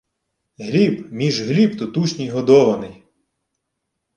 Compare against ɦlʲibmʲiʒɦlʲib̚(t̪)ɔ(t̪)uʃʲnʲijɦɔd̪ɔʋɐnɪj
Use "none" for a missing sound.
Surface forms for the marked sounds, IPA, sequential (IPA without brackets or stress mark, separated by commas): t̪, t̪